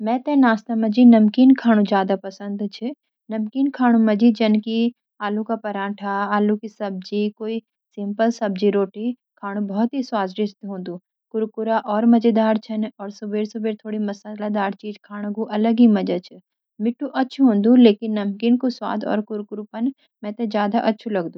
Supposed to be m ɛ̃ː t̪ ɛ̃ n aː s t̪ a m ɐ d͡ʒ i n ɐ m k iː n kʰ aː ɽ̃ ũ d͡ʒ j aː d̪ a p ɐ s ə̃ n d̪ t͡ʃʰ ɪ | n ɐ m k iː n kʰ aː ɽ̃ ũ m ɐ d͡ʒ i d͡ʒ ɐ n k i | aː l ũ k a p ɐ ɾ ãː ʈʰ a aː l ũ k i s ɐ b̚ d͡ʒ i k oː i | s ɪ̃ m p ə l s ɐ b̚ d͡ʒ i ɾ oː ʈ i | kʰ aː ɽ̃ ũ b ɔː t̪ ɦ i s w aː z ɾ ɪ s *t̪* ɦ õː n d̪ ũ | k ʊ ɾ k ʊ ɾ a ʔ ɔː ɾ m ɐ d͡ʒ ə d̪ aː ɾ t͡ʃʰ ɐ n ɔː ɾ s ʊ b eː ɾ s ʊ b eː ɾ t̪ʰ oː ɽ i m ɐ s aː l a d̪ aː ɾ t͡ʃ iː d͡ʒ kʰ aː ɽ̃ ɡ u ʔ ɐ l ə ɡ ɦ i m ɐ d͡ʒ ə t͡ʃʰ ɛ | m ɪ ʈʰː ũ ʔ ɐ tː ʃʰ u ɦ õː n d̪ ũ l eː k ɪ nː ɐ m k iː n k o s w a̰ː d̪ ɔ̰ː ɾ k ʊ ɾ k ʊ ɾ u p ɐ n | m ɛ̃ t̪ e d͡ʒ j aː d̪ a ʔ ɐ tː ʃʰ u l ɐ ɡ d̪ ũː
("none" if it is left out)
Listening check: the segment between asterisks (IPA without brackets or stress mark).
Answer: t̪